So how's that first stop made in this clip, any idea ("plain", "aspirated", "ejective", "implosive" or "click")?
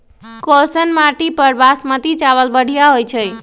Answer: plain